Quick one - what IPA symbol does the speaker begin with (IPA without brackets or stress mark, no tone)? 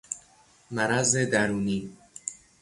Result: m